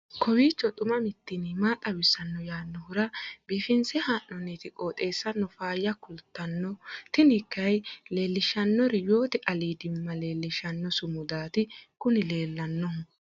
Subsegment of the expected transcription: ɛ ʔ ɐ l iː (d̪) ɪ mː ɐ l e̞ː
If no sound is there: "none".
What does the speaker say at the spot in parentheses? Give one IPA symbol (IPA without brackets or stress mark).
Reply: d̪